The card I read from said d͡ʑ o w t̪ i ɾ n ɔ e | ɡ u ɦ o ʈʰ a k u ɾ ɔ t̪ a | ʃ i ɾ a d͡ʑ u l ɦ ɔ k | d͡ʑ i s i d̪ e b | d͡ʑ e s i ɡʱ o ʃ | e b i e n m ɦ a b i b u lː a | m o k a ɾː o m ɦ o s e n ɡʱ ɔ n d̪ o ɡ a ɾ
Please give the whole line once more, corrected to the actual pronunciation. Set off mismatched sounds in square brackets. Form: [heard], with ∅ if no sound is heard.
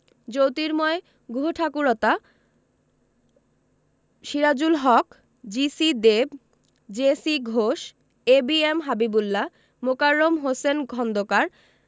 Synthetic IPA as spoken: d͡ʑ o w t̪ i ɾ [m] ɔ e | ɡ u ɦ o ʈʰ a k u ɾ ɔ t̪ a | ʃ i ɾ a d͡ʑ u l ɦ ɔ k | d͡ʑ i s i d̪ e b | d͡ʑ e s i ɡʱ o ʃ | e b i e [∅] m ɦ a b i b u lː a | m o k a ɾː o m ɦ o s e n ɡʱ ɔ n d̪ o [k] a ɾ